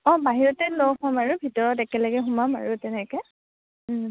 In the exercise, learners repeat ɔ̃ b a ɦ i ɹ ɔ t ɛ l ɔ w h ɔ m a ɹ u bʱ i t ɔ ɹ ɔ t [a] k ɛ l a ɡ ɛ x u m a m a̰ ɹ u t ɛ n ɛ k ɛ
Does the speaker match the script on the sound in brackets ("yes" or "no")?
no